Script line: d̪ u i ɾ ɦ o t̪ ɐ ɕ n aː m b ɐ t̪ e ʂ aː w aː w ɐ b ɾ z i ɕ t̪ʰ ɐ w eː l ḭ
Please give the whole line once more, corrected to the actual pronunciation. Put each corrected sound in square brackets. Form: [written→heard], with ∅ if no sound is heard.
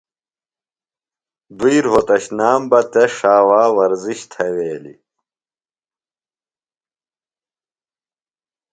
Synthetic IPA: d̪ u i ɾ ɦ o t̪ ɐ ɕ n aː m b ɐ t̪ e ʂ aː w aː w ɐ [b→∅] ɾ z i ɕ t̪ʰ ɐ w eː l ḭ

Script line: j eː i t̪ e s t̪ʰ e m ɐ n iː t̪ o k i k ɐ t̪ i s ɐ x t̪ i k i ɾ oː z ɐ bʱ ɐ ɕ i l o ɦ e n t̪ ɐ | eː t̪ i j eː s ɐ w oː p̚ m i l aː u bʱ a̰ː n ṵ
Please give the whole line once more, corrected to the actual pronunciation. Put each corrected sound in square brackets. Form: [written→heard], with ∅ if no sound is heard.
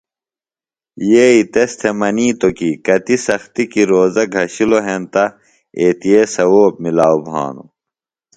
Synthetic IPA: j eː i t̪ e s t̪ʰ e m ɐ n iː t̪ o k i k ɐ t̪ i s ɐ x t̪ i k i ɾ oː z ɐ [bʱ→ɡʱ] ɐ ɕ i l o ɦ e n t̪ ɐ | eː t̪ i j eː s ɐ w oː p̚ m i l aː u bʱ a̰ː n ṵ

